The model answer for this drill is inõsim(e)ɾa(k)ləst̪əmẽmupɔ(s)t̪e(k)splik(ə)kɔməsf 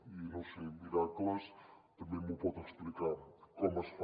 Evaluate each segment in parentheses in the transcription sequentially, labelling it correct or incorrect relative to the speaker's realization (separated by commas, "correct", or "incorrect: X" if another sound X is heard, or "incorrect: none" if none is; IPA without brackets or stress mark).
incorrect: i, correct, incorrect: none, correct, incorrect: a